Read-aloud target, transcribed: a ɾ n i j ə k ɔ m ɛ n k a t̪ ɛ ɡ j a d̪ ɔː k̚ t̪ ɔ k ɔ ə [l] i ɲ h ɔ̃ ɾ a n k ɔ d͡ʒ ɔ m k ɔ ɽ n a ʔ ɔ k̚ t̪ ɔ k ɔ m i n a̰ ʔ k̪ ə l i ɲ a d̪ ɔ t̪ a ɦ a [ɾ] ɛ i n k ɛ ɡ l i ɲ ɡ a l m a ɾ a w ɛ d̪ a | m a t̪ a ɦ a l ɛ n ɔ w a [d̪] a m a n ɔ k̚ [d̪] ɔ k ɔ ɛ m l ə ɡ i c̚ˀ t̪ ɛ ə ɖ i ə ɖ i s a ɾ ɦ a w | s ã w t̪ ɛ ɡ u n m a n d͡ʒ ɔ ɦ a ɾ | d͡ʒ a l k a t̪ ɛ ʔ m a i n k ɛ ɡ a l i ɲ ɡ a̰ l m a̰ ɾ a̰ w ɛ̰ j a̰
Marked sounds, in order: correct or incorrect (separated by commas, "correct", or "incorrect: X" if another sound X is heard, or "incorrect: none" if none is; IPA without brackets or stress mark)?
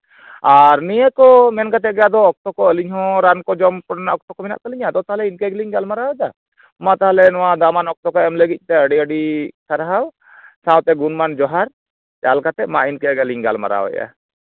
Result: correct, incorrect: l, correct, incorrect: t̪